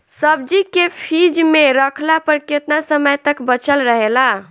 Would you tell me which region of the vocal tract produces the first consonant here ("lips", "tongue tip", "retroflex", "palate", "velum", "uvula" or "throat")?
tongue tip